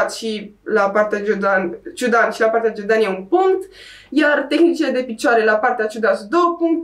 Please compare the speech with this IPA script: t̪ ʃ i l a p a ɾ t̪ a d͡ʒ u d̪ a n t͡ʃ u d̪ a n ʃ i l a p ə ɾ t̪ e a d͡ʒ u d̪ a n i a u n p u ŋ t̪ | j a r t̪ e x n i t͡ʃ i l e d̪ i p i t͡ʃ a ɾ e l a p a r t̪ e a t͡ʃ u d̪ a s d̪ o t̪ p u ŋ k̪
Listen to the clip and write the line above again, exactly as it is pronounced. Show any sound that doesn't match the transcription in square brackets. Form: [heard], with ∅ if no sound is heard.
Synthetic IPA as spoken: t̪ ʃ i l a p a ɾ t̪ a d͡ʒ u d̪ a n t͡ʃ u d̪ a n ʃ i l a p [a] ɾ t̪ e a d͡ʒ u d̪ a n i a u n p u ŋ t̪ | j a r t̪ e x n i t͡ʃ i l e d̪ [e] p i t͡ʃ a ɾ e l a p a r t̪ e a t͡ʃ u d̪ a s d̪ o [∅] p u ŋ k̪